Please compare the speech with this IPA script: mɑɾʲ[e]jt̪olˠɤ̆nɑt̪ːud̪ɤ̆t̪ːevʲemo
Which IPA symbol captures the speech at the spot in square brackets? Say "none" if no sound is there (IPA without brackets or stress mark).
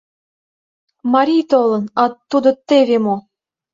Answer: i